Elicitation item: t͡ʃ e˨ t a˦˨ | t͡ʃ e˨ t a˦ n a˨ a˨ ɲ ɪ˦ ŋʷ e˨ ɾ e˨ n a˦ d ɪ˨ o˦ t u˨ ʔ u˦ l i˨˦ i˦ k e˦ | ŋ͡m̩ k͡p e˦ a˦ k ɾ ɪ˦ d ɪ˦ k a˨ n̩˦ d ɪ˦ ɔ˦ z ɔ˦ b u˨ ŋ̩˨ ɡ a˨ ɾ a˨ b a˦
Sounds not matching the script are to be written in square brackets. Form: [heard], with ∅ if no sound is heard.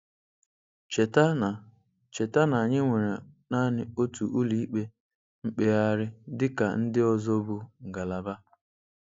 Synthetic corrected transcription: t͡ʃ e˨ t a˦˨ | t͡ʃ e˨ t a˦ n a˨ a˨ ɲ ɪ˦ ŋʷ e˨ ɾ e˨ n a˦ [n] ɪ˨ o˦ t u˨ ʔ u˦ l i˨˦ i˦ [k͡p] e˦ | ŋ͡m̩ k͡p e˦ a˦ [∅] ɾ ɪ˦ d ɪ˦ k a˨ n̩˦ d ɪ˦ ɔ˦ z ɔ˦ b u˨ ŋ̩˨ ɡ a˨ [l] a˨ b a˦